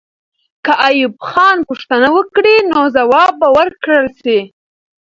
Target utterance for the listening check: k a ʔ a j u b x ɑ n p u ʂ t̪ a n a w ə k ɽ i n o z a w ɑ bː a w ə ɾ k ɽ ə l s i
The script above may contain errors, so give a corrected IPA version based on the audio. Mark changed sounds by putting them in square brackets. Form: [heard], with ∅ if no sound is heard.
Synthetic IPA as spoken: k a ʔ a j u b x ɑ n p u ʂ t̪ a n a w ə k ɽ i n o z a w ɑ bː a w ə ɾ k ɽ ə l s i